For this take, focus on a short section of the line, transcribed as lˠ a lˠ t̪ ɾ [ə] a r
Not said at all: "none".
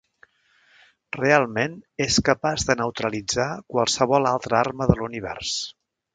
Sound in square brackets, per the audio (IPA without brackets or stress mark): ə